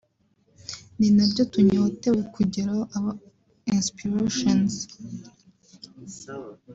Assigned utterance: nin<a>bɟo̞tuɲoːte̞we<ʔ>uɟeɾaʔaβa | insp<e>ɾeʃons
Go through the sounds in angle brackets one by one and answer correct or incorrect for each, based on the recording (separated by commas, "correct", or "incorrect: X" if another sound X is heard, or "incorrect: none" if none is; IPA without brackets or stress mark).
correct, incorrect: k, incorrect: i